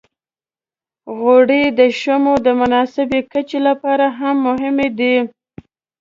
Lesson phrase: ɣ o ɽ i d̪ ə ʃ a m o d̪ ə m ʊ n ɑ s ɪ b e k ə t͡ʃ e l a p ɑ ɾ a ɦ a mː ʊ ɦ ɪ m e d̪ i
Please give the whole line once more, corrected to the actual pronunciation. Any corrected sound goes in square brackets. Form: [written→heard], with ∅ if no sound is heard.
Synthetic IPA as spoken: ɣ o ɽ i d̪ ə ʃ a m o d̪ ə m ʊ n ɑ s ɪ b e k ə t͡ʃ e l a p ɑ ɾ a ɦ a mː ʊ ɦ ɪ m e d̪ i